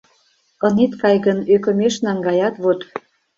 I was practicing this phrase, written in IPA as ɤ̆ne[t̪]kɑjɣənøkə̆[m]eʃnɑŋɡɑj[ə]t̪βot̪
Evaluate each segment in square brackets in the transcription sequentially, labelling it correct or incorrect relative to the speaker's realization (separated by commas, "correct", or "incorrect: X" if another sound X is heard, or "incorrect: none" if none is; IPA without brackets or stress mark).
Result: correct, correct, incorrect: ɑ